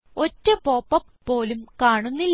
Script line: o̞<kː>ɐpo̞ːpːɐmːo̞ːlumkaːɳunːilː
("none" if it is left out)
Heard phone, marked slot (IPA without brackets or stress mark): tː